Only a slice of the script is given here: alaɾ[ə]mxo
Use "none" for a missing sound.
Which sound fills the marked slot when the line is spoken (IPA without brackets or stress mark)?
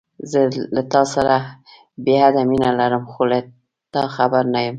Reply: ə